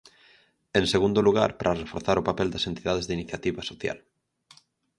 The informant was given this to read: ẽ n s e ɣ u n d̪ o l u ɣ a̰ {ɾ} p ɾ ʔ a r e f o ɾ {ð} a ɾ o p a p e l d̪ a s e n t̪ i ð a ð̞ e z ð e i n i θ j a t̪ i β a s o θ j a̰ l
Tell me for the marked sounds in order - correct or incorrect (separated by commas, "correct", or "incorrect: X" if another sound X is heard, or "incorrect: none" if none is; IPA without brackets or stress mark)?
correct, incorrect: θ